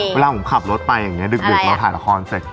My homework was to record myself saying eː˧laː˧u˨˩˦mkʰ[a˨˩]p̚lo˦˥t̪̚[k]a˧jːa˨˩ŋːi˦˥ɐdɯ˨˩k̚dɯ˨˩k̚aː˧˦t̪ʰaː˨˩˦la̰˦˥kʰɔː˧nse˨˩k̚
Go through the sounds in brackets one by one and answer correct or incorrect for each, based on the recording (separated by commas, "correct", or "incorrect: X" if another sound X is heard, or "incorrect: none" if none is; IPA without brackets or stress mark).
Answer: correct, incorrect: p